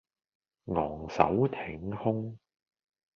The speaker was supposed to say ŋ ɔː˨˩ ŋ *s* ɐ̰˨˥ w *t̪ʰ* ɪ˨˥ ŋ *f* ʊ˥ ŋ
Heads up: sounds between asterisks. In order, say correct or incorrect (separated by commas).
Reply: correct, correct, incorrect